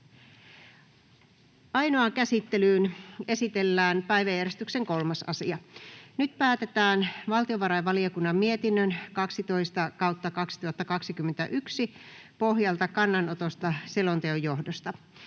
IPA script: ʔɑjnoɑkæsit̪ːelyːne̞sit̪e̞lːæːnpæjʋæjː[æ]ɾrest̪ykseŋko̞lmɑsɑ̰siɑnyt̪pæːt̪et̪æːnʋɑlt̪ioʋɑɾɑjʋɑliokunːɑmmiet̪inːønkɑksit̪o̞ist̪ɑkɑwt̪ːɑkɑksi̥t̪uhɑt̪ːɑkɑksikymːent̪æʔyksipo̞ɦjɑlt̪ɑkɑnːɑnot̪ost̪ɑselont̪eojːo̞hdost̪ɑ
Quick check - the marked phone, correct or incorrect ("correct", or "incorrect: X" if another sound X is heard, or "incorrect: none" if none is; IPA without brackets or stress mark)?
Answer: correct